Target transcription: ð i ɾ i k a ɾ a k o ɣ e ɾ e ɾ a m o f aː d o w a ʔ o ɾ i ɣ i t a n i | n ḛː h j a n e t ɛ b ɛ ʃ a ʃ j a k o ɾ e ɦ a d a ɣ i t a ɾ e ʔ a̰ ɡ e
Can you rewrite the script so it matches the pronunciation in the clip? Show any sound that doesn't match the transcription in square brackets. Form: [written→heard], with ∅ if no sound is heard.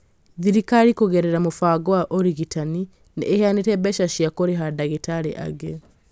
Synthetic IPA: ð i ɾ i k a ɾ [a→i] k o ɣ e ɾ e ɾ a m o f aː [d→ɡ] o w a ʔ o ɾ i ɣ i t a n i | n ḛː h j a n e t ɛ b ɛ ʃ a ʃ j a k o ɾ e ɦ a d a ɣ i t a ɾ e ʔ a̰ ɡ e